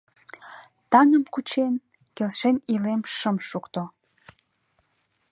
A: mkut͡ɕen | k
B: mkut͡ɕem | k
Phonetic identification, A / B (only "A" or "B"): A